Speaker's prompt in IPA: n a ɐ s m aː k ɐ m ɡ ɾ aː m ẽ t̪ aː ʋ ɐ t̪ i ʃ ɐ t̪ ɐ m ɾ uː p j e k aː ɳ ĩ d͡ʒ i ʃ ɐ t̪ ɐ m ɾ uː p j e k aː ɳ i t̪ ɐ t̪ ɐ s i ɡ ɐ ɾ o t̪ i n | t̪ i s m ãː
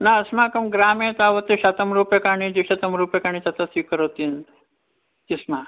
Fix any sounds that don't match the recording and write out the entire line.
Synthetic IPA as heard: n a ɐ s m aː k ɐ m ɡ ɾ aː m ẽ t̪ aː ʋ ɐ t̪ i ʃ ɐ t̪ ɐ m ɾ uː p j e k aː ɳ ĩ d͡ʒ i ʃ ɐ t̪ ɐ m ɾ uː p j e k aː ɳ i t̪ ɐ t̪ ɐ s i k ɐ ɾ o t̪ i n | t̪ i s m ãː